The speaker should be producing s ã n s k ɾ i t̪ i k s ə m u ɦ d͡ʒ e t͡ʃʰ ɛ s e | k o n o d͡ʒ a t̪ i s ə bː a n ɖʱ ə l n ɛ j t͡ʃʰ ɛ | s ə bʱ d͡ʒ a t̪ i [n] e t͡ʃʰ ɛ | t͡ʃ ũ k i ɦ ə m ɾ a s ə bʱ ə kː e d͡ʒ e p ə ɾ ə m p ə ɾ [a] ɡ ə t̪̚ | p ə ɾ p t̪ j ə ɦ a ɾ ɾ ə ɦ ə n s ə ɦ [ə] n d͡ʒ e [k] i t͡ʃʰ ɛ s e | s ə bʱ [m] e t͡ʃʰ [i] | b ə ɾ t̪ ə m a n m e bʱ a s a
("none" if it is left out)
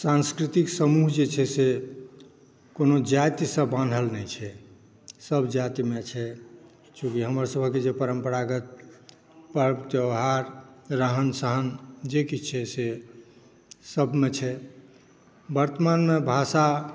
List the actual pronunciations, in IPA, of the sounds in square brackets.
m, a, ə, k, m, ɛ

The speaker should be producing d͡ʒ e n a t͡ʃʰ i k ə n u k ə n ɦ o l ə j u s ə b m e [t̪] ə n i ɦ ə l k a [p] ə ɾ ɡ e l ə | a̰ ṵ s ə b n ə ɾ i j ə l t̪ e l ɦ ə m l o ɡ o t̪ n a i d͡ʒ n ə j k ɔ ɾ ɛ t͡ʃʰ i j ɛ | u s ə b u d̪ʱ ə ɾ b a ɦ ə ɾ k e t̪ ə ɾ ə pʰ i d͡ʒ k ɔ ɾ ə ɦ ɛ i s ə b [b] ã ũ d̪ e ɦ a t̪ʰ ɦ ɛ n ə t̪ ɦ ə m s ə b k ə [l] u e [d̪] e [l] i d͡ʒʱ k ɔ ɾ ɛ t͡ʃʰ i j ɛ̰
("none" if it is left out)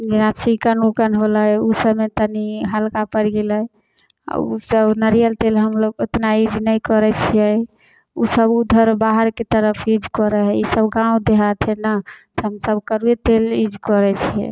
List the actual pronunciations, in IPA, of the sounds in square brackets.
t̪, p, ɡ, ɾ, t̪, l

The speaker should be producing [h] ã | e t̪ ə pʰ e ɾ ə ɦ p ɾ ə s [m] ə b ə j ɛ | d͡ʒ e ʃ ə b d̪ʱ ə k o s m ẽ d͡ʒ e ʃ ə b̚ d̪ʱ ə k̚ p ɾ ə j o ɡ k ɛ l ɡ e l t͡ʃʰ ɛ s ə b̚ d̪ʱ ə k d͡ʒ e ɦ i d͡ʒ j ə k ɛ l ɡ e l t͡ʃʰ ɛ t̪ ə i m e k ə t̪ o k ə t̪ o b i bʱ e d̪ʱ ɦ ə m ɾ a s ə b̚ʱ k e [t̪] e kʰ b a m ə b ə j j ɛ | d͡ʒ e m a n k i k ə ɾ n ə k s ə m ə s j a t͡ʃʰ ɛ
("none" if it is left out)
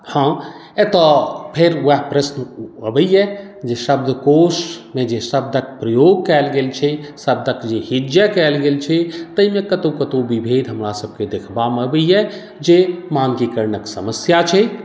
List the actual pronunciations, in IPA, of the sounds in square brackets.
h, n, d̪

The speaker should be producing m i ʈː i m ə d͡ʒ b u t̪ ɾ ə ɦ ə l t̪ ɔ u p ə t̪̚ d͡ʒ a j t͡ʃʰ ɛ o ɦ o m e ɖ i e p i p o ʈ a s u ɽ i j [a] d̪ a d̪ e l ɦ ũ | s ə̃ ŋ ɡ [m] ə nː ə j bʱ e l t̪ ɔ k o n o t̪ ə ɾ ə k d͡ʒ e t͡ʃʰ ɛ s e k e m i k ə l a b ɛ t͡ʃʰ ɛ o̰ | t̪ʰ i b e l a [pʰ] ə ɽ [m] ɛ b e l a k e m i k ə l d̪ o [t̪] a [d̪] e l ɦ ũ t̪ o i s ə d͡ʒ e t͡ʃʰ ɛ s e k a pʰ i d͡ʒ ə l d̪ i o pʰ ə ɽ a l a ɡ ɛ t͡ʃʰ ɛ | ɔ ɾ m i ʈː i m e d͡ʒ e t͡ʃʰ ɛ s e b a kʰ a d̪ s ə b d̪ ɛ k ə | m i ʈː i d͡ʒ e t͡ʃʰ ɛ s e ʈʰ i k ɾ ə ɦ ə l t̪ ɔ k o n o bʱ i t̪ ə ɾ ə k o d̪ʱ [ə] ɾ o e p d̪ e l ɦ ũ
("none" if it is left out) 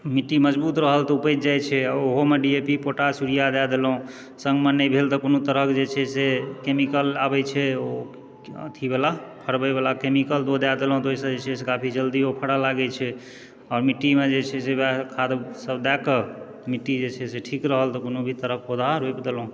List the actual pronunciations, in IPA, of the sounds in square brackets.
a, m, pʰ, b, d̪, d̪, a

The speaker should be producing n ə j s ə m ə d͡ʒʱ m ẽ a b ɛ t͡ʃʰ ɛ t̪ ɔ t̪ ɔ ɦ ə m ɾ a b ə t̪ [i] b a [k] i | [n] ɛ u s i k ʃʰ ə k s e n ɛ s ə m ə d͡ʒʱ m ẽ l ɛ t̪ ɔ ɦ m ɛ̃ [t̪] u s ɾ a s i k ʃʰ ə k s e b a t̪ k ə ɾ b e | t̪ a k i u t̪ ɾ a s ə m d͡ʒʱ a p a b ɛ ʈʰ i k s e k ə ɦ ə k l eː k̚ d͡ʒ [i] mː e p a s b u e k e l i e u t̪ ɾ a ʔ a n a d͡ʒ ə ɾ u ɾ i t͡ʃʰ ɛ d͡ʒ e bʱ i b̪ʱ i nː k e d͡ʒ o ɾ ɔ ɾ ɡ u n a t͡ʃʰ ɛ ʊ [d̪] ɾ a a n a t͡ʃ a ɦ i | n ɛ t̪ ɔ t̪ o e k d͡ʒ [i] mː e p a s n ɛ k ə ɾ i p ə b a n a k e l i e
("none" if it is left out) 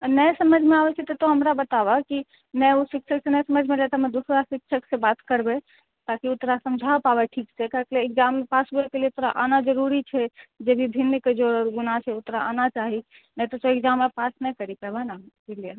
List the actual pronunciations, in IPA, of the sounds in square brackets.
a, k, n, d̪, a, t̪, a

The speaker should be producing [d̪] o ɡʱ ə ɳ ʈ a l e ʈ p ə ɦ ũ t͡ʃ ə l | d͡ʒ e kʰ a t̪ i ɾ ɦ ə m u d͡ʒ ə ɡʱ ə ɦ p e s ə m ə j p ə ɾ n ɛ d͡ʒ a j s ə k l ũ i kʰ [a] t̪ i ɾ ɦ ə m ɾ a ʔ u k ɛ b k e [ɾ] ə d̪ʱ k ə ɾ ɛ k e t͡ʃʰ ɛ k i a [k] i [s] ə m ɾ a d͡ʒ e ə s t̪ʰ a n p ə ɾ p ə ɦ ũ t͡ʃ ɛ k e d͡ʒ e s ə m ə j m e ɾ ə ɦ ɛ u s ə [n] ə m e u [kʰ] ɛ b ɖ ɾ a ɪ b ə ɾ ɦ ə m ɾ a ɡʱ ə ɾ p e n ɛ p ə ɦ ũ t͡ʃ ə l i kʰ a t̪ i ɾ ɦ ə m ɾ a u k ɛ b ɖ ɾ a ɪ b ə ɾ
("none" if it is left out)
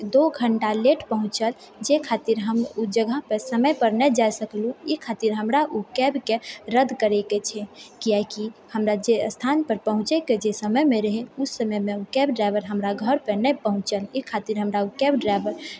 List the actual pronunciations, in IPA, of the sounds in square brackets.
d̪, a, ɾ, k, h, m, k

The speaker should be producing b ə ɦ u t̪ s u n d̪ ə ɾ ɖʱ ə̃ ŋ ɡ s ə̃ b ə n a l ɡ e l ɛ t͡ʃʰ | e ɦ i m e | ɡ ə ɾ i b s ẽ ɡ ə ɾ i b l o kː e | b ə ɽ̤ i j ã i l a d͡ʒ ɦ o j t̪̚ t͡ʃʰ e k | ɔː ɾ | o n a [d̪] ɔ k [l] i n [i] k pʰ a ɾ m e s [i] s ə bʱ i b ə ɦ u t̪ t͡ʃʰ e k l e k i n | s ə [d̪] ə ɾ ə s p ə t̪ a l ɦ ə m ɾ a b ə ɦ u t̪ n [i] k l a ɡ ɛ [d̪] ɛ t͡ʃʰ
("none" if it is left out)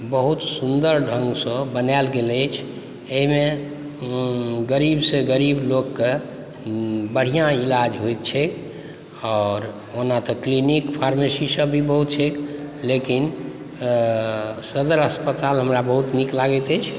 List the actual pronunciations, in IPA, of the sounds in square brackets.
t̪, l, i, i, d̪, i, t̪

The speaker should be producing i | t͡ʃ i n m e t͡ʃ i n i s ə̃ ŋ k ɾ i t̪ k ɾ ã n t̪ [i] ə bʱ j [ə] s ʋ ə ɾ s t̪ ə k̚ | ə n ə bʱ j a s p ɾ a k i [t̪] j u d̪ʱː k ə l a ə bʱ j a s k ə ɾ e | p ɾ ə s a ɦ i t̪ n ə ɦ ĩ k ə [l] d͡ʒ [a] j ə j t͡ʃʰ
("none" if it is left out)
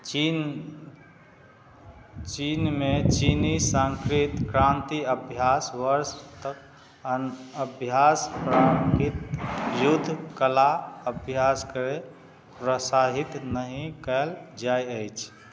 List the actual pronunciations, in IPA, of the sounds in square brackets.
i, a, t̪, l, a

